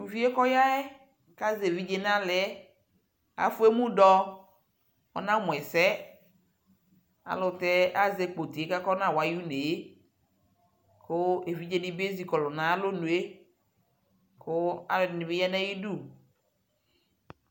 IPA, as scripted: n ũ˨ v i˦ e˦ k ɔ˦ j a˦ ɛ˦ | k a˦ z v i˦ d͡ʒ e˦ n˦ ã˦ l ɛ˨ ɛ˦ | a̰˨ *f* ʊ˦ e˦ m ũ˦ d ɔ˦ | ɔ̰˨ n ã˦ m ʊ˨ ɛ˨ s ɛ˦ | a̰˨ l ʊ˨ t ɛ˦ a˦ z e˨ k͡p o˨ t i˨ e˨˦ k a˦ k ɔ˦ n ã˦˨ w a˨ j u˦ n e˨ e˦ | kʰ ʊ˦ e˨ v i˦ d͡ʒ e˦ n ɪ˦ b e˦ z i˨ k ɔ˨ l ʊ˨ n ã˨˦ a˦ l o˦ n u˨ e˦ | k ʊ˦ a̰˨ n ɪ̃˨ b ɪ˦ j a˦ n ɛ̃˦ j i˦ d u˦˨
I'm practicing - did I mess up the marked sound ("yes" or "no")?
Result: no